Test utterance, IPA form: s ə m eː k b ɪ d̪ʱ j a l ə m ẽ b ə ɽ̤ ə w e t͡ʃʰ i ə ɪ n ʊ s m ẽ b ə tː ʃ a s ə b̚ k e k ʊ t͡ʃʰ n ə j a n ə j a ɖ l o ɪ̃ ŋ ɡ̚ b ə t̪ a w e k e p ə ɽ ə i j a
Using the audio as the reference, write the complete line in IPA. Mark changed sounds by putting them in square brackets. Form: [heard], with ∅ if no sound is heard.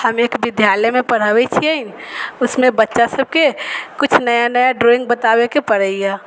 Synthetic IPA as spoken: [h] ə m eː k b ɪ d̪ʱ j a l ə m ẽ [p] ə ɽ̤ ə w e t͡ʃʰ i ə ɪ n ʊ s m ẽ b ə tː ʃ a s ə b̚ k e k ʊ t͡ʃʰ n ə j a n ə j a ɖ [ɾ] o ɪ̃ ŋ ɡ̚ b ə t̪ a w e k e p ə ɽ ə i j a